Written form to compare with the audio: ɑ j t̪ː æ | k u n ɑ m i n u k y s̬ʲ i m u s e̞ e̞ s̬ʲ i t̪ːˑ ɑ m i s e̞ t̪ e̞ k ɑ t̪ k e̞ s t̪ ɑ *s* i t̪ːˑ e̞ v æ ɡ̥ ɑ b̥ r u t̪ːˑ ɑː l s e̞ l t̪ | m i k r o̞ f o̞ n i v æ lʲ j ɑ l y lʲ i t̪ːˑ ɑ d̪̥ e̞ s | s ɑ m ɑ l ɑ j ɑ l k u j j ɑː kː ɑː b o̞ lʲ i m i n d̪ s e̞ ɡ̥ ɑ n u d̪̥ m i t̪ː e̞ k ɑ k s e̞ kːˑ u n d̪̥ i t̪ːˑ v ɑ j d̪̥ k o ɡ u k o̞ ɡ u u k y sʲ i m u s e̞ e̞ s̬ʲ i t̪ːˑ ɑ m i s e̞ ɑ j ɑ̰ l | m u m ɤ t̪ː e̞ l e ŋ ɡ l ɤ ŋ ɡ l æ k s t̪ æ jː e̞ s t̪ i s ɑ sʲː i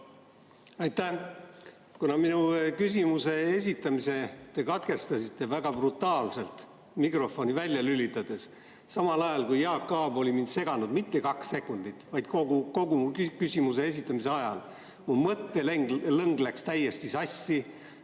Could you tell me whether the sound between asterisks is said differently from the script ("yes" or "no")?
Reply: no